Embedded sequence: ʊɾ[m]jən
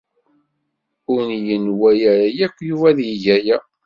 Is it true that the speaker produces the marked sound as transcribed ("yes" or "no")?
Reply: no